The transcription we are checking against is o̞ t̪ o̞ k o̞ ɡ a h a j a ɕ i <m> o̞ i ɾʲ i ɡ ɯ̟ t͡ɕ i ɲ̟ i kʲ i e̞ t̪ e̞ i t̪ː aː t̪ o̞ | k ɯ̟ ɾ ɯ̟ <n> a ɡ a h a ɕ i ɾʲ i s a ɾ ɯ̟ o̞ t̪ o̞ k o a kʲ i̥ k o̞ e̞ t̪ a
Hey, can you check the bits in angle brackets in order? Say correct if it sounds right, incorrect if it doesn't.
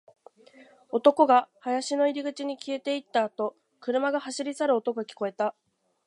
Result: incorrect: n, incorrect: m

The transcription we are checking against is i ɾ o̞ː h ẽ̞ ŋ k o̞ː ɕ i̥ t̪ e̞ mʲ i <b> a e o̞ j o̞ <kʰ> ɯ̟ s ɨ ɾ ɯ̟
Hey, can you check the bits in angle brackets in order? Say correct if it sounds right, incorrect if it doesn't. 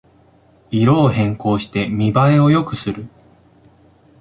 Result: correct, incorrect: k

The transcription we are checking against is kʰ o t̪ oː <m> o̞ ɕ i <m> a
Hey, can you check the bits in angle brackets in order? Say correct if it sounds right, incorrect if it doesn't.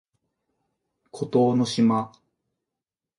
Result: incorrect: n, correct

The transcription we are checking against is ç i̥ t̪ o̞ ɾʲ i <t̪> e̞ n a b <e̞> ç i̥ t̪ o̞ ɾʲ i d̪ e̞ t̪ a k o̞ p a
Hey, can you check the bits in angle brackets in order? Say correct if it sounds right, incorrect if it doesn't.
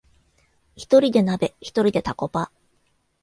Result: incorrect: d̪, correct

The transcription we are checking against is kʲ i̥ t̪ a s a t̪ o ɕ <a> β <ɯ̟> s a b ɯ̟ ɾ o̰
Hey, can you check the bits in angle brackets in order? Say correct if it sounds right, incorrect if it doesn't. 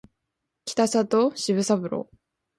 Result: incorrect: i, correct

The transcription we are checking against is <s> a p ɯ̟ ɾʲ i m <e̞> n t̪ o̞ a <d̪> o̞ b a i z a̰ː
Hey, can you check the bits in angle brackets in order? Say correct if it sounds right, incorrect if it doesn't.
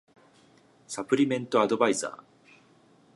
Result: correct, incorrect: ẽ̞, correct

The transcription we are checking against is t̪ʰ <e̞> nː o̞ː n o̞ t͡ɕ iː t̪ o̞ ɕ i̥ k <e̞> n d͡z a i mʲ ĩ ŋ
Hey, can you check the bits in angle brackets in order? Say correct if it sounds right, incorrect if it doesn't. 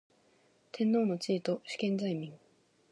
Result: incorrect: ẽ̞, incorrect: ẽ̞

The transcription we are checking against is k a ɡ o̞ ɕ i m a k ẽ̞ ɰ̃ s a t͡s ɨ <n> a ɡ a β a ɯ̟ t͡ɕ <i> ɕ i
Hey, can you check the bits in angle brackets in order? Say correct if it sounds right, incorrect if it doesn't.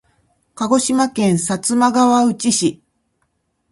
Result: incorrect: m, correct

